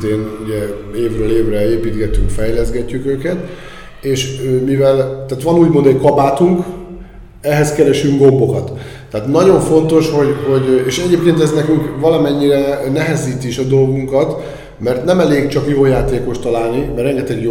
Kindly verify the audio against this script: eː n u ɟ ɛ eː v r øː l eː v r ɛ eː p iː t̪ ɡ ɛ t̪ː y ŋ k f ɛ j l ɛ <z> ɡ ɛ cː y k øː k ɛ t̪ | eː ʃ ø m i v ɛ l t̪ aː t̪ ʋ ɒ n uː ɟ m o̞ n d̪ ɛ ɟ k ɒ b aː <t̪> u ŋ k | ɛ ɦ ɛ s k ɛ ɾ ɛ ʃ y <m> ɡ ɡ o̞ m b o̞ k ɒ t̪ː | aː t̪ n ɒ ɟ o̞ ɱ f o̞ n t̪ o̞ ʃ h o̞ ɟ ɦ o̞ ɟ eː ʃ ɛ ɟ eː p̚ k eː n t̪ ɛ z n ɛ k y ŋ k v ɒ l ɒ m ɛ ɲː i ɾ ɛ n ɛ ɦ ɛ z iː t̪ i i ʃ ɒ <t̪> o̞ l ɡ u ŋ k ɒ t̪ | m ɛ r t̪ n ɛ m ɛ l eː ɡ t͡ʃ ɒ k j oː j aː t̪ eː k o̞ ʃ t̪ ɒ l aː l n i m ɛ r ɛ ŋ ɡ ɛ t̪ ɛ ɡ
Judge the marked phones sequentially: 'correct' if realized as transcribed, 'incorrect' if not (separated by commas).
correct, correct, incorrect, incorrect